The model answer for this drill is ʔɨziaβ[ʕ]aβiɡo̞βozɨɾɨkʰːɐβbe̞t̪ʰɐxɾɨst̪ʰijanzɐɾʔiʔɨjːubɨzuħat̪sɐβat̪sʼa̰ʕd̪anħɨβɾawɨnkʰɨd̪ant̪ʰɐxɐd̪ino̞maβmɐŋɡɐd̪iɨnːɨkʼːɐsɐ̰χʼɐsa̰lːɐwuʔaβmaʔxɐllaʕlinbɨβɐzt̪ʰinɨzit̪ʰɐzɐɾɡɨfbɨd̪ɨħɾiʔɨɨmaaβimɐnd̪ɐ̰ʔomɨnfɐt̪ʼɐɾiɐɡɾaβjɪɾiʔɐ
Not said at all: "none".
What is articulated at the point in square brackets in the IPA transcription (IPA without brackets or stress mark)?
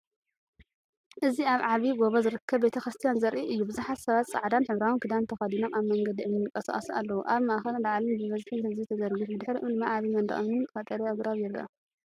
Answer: ʕ